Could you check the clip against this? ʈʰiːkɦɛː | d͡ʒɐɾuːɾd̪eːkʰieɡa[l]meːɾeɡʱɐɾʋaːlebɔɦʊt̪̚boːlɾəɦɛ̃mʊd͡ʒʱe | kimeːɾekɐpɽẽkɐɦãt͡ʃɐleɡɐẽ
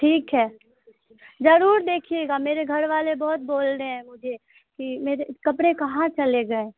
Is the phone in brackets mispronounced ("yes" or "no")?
yes